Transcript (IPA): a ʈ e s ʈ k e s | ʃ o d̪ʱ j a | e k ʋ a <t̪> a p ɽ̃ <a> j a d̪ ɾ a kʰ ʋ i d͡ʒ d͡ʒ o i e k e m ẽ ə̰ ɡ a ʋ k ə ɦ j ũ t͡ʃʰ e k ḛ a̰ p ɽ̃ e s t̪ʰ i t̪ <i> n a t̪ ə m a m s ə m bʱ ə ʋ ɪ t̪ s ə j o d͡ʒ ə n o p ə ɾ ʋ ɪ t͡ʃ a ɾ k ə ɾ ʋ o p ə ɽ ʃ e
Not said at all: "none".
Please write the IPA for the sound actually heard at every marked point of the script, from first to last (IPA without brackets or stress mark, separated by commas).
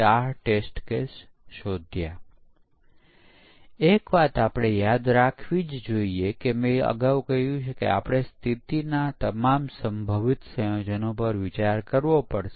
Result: t̪, e, i